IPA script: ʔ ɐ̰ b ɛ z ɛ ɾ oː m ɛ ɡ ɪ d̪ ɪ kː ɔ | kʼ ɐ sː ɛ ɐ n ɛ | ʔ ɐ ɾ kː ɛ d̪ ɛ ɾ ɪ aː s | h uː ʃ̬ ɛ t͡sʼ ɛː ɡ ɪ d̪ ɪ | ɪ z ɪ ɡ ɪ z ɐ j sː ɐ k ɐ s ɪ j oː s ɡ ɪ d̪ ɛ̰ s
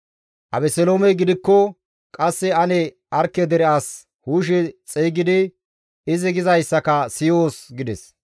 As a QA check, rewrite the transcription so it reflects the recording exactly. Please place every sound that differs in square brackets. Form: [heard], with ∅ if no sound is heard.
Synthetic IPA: ʔ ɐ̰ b ɛ [s] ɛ [l] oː m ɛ ɡ ɪ d̪ ɪ kː ɔ | kʼ ɐ sː ɛ ɐ n ɛ | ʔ ɐ ɾ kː ɛ d̪ ɛ ɾ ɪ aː s | h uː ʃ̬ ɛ t͡sʼ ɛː ɡ ɪ d̪ ɪ | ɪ z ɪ ɡ ɪ z ɐ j sː ɐ k ɐ s ɪ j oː s ɡ ɪ d̪ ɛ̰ s